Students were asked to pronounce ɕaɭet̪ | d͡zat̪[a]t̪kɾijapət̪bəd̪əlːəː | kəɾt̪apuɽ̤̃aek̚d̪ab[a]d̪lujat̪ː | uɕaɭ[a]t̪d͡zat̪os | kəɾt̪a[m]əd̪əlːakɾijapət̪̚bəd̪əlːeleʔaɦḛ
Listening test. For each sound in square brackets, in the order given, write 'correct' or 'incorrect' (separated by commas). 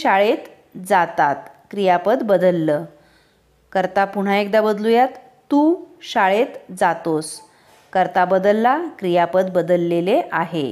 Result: correct, incorrect, incorrect, incorrect